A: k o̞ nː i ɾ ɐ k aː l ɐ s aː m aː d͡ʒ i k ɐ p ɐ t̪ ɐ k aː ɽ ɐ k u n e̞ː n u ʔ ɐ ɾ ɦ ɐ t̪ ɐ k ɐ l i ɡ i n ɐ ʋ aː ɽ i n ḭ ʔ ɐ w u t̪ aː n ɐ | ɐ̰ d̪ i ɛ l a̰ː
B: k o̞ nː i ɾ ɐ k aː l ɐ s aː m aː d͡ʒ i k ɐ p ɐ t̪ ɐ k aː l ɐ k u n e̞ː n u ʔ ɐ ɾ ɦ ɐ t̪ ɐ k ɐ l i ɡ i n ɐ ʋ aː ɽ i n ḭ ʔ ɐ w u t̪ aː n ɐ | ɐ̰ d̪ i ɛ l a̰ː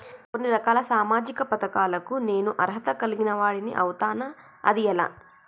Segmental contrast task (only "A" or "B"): B